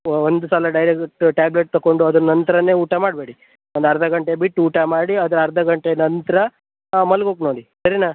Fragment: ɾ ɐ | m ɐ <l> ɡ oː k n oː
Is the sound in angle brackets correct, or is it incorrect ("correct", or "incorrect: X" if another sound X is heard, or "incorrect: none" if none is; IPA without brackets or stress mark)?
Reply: correct